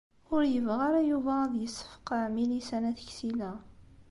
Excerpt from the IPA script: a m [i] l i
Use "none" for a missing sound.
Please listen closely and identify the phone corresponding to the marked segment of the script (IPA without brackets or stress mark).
i